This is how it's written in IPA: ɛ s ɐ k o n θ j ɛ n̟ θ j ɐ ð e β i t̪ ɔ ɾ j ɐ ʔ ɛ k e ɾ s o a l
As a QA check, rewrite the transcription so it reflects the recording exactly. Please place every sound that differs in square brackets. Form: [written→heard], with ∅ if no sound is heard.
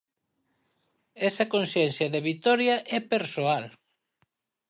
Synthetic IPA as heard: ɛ s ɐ k o n [θ→s] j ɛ n̟ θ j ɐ ð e β i t̪ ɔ ɾ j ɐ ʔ ɛ [k→p] e ɾ s o a l